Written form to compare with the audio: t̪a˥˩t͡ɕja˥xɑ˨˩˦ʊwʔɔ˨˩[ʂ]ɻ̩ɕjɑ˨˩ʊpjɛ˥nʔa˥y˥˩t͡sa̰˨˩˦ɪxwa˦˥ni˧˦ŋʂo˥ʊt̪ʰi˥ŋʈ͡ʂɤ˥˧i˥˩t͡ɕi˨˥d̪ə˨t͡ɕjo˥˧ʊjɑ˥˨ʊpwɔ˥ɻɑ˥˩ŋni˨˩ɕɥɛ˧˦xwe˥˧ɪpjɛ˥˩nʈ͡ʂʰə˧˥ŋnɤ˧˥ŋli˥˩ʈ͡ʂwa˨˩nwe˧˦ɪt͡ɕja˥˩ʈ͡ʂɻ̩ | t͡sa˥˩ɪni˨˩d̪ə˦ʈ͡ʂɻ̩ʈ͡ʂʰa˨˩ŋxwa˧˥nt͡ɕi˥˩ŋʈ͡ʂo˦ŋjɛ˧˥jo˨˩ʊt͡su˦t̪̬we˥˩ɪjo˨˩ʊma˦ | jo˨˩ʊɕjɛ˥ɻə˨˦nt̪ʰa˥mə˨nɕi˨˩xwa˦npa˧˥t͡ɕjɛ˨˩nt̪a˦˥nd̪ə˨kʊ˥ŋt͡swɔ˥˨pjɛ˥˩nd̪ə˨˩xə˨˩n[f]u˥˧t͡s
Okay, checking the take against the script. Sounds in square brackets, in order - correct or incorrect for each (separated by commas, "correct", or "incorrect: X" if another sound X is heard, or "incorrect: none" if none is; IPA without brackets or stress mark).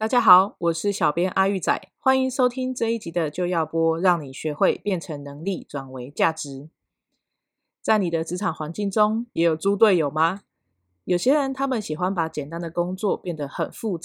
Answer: correct, correct